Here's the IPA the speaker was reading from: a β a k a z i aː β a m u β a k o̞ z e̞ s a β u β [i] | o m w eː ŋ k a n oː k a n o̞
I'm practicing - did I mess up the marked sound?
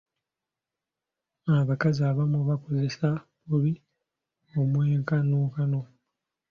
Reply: no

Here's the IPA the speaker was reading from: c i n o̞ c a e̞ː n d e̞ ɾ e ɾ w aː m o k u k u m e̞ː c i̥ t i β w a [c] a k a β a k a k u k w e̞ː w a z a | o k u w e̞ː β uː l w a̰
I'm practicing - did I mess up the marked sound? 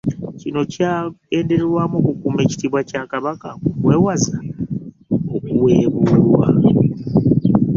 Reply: no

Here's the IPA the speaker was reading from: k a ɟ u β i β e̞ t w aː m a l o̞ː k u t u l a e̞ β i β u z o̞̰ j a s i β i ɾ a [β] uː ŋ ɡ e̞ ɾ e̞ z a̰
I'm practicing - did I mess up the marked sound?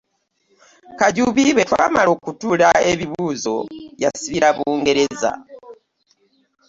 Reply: no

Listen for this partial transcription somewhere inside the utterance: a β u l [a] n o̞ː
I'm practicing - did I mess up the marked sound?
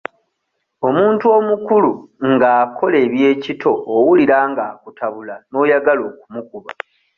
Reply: no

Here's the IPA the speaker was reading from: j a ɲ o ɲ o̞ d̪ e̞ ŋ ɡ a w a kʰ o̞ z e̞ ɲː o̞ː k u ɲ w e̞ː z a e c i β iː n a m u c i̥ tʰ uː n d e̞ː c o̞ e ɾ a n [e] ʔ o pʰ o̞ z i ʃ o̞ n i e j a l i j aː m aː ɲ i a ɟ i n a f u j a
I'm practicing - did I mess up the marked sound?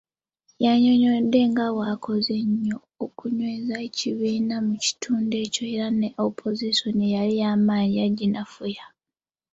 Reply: no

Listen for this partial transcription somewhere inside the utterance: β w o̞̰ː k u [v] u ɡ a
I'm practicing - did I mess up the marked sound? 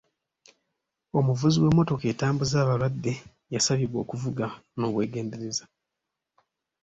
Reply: no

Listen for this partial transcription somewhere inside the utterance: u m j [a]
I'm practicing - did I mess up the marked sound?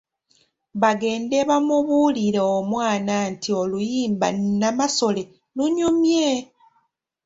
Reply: yes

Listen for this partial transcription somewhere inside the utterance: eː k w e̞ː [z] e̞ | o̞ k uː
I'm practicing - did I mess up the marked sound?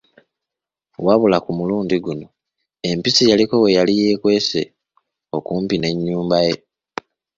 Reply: yes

